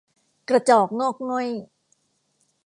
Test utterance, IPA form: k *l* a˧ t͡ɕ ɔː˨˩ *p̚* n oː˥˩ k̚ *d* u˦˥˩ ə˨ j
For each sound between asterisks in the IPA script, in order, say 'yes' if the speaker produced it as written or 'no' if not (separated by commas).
no, no, no